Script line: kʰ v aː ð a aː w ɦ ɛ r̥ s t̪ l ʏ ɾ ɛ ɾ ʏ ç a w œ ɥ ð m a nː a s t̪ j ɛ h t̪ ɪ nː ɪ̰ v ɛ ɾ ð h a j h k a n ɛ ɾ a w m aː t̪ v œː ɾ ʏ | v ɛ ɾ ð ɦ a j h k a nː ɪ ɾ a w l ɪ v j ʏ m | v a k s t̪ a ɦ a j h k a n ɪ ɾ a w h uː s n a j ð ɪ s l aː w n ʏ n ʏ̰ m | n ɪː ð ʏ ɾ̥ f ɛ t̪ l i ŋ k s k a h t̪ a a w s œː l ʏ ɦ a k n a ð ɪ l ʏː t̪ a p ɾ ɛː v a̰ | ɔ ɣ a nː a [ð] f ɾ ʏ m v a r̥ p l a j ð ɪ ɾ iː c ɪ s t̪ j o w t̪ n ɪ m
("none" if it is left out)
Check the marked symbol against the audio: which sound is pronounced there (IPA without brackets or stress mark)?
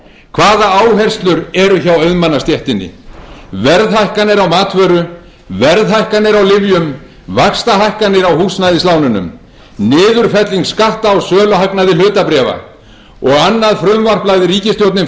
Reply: ð